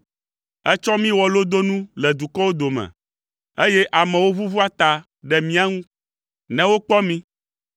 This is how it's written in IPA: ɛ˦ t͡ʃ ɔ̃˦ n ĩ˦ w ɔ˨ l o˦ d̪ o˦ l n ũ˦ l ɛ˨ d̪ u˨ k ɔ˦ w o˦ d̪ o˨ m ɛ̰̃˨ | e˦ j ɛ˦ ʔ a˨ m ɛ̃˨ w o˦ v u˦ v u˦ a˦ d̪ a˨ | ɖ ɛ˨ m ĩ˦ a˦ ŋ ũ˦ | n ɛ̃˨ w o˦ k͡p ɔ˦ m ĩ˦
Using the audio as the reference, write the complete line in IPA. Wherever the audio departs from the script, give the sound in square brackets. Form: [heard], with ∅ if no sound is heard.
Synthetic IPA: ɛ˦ t͡ʃ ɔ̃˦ [m] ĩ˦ w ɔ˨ l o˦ d̪ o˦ [∅] n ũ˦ l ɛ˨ d̪ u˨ k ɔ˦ w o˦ d̪ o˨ m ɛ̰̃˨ | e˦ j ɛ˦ ʔ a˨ m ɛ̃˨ w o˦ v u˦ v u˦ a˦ [t̪] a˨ | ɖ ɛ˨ m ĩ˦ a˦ ŋ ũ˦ | n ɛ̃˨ w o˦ k͡p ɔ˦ m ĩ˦